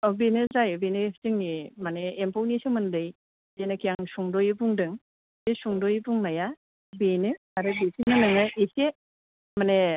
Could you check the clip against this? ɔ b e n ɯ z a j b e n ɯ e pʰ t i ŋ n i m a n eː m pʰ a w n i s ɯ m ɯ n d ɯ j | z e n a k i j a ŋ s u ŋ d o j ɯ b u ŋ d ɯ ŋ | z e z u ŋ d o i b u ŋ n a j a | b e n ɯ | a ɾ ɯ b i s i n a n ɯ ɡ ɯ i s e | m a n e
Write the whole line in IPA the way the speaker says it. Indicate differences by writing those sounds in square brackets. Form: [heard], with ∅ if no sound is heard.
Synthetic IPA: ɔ b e n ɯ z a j b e n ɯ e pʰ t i ŋ n i m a n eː m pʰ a w n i s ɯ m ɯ n d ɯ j | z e n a k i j a ŋ s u ŋ d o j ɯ b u ŋ d ɯ ŋ | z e [s] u ŋ d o [j] b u ŋ n a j a | b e n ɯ | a ɾ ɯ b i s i n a n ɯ [ŋ] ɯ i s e | m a n e